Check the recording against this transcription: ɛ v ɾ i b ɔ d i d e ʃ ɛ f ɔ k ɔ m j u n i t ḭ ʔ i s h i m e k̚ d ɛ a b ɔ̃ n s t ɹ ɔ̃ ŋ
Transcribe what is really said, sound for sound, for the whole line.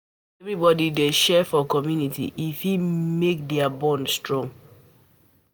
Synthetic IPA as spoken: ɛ v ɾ i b ɔ d i d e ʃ ɛ f ɔ k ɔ m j u n i t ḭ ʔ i f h i m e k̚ d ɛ a b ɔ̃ n s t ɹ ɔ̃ ŋ